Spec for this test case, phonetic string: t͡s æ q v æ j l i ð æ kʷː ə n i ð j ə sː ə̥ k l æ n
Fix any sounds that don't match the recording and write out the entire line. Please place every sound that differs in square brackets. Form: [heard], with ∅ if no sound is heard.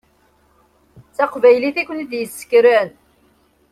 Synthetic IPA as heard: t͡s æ q v æ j l i [θ] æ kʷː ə n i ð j ə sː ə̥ k [ɾ] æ n